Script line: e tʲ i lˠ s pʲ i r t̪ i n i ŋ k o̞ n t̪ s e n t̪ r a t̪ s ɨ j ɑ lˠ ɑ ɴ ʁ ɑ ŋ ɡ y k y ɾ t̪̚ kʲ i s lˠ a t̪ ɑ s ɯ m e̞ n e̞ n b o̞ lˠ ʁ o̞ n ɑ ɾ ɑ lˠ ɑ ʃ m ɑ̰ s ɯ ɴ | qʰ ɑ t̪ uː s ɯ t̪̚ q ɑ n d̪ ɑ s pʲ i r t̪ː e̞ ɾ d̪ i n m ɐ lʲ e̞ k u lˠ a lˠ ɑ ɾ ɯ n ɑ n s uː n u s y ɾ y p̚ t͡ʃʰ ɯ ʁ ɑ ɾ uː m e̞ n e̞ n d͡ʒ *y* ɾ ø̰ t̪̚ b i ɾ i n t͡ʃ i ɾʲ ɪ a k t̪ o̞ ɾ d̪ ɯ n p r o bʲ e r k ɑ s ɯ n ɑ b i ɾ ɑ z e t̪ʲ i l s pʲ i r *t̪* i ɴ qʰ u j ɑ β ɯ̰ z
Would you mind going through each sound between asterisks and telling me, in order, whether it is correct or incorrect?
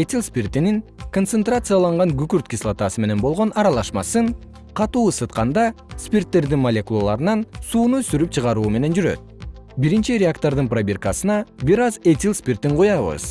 correct, correct

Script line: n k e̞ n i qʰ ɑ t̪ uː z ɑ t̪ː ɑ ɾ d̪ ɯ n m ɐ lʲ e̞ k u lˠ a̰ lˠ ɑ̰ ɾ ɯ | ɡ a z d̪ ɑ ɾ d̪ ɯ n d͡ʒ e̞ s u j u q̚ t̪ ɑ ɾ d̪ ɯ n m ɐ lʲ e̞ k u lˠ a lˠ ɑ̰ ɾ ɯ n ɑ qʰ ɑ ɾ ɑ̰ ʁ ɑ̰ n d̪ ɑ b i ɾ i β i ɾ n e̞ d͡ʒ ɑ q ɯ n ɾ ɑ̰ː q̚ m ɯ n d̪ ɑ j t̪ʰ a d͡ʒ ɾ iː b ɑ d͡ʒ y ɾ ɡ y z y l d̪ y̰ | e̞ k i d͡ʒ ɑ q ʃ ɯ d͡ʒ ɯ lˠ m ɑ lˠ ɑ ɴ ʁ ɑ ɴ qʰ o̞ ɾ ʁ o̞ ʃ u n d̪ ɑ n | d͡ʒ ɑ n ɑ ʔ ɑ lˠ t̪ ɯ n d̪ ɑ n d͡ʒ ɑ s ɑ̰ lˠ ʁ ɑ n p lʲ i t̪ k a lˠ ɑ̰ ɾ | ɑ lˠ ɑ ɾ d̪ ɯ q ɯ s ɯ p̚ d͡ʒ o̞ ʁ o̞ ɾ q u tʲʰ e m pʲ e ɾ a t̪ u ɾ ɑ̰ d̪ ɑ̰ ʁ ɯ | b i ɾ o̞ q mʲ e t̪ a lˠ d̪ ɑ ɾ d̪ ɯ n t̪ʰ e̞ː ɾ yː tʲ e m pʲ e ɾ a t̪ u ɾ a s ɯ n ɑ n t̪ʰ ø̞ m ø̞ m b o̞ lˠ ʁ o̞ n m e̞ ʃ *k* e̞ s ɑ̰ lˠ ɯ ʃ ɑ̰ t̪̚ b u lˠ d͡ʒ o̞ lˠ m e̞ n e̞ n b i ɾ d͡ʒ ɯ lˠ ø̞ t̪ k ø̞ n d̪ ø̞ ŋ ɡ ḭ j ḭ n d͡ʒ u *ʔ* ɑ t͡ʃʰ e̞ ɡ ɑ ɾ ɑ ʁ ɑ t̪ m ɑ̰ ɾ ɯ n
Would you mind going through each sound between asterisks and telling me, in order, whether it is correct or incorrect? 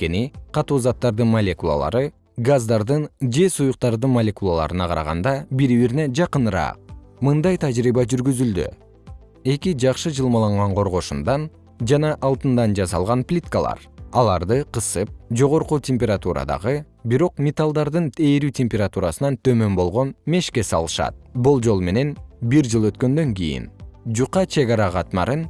correct, incorrect

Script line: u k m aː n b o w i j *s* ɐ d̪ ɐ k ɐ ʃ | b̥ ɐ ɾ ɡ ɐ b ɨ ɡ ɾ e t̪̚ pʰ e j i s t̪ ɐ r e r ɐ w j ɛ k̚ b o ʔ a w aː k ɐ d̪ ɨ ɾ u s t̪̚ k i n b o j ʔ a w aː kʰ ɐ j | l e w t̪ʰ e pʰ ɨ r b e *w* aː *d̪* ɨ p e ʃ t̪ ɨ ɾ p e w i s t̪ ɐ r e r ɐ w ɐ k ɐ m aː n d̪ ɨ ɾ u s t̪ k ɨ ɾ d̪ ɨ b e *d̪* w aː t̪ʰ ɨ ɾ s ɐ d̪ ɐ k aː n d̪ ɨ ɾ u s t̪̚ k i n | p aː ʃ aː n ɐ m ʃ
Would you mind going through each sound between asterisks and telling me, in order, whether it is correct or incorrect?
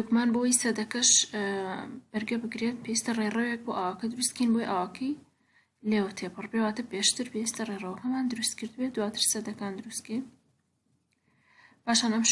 correct, correct, incorrect, correct

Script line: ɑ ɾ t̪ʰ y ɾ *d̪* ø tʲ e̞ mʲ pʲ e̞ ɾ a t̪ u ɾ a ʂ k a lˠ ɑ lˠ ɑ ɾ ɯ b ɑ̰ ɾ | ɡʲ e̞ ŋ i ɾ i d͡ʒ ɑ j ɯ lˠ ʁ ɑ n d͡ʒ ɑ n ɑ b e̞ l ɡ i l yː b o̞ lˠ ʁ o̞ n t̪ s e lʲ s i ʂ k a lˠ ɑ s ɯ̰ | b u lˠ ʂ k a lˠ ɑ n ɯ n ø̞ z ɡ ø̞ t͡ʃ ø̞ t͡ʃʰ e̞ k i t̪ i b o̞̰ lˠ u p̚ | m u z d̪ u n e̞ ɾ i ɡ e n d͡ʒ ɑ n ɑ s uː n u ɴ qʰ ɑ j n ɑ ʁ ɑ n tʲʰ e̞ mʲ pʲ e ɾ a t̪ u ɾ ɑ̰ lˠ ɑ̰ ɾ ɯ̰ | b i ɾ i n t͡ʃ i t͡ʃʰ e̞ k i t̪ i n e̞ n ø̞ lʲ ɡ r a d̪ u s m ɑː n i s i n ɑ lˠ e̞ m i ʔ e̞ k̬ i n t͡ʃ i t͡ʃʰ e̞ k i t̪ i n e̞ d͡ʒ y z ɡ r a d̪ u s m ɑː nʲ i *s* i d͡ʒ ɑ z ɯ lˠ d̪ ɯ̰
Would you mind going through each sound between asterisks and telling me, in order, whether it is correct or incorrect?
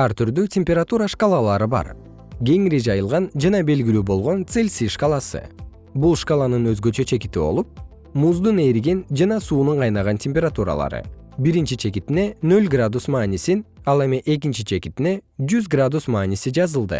correct, correct

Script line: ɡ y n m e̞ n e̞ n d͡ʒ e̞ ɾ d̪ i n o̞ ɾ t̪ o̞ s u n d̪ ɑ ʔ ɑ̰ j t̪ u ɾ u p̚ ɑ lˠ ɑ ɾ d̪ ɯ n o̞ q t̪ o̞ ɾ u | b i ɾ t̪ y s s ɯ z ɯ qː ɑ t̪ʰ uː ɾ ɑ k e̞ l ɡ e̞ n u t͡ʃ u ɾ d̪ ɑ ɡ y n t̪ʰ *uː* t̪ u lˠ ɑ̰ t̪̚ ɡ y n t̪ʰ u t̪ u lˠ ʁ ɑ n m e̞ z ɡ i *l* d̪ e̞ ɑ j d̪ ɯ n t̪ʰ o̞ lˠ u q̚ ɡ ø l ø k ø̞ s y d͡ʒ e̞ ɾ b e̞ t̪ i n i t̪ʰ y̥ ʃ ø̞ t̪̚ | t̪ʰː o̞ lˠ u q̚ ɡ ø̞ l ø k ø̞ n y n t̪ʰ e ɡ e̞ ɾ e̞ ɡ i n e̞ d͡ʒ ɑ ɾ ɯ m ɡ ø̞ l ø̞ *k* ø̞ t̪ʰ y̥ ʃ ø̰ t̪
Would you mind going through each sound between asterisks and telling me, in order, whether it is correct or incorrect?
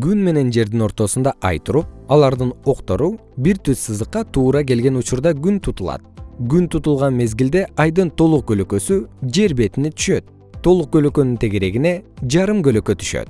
incorrect, correct, correct

